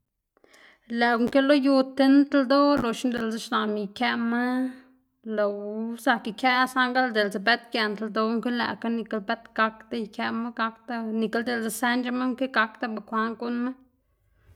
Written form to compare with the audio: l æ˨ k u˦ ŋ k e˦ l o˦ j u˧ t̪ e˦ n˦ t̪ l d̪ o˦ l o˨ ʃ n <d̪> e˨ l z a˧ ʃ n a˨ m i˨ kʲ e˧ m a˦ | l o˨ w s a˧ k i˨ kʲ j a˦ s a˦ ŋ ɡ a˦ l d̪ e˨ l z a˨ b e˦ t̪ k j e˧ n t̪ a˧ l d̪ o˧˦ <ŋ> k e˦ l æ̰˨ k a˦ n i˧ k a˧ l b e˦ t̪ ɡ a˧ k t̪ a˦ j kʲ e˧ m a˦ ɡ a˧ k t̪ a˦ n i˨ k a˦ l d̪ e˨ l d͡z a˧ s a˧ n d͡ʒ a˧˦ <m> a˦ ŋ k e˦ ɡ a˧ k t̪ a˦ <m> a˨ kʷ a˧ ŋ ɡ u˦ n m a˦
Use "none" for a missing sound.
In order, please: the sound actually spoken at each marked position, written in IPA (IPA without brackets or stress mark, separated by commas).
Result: d̪, ŋ, m, b